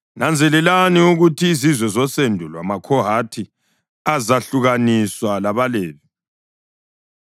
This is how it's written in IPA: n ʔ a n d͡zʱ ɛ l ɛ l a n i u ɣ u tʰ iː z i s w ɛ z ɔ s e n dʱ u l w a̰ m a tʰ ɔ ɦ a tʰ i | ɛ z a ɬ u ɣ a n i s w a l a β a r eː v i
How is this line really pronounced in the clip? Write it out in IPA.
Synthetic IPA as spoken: n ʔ a n d͡zʱ ɛ l ɛ l a n i u ɣ u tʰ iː z i z w ɛ z ɔ s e n dʱ u l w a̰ m a kʰ ɔ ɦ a tʰ i | a z a ɬ u ɣ a n i s w a l a β a l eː β i